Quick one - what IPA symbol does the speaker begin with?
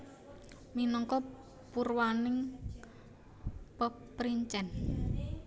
m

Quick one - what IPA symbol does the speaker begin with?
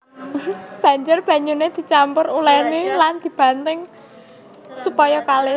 b̥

